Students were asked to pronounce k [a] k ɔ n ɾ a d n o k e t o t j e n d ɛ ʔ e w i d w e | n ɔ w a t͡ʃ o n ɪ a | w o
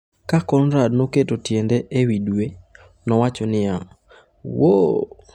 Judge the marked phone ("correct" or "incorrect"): correct